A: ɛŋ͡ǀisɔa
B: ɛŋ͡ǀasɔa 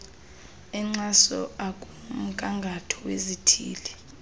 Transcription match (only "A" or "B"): B